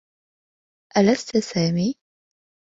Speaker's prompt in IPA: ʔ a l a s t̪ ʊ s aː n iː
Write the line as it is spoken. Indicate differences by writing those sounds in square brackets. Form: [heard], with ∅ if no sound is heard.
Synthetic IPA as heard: ʔ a l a s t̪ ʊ s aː [m] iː